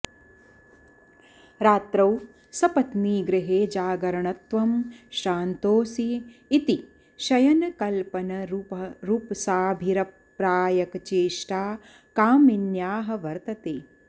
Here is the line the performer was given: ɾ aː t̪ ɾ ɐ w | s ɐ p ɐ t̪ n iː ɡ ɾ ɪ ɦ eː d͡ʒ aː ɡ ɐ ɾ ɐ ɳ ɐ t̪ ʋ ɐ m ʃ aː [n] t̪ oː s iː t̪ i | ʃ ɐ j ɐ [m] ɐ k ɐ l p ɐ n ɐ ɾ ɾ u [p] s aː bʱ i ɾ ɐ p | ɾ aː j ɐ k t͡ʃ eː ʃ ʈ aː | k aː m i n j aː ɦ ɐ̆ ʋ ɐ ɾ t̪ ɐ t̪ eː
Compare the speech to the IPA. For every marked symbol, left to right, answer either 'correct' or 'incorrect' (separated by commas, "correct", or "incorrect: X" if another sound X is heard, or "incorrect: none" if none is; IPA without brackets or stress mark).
correct, incorrect: n, correct